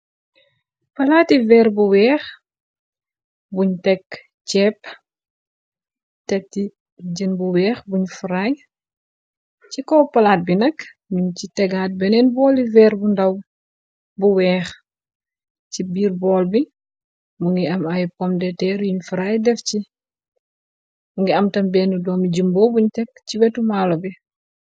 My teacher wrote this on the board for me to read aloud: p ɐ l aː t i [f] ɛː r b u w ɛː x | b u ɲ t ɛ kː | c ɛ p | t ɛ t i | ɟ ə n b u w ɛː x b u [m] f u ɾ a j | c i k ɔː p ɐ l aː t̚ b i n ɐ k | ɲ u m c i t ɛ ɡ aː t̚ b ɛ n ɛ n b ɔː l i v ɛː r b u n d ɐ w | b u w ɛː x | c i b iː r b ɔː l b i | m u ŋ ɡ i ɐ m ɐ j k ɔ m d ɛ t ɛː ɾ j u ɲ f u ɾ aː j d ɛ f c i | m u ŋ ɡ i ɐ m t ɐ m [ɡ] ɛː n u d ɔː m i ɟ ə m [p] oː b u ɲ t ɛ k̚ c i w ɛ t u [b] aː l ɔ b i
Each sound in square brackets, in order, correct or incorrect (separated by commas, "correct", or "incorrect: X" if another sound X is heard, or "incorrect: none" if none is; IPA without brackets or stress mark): incorrect: v, incorrect: ɲ, incorrect: b, incorrect: b, incorrect: m